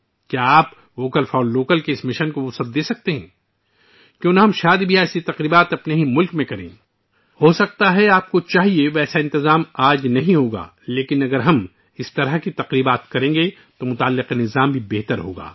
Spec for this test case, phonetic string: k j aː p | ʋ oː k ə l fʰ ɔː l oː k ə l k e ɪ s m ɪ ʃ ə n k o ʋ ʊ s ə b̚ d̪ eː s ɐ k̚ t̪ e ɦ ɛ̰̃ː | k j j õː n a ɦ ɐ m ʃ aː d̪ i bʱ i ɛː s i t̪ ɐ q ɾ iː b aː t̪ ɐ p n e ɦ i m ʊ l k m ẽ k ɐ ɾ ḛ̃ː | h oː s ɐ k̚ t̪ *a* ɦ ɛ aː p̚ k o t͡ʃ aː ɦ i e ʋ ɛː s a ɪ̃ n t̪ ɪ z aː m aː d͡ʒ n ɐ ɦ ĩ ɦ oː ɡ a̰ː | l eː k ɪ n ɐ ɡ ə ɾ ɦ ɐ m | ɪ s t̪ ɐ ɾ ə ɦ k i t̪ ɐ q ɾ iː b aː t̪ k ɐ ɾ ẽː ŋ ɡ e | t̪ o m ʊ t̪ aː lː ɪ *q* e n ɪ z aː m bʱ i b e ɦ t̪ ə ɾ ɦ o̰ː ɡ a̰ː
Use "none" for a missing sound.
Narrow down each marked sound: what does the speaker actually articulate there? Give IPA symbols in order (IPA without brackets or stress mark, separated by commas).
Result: a, q